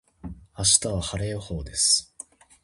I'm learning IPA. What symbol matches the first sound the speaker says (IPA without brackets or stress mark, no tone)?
a